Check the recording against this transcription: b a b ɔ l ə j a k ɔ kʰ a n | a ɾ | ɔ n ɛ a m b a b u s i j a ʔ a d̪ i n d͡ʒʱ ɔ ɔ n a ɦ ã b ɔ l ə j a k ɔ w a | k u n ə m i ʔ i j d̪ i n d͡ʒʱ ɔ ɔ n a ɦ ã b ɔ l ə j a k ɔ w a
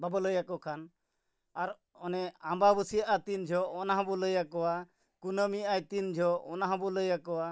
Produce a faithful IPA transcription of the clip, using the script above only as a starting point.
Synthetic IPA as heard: b a b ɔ l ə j a k ɔ kʰ a n | a ɾ | ɔ n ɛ a m b a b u s i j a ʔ a t̪ i n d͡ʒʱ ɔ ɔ n a ɦ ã b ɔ l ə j a k ɔ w a | k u n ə m i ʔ a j t̪ i n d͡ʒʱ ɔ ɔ n a ɦ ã b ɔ l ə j a k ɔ w a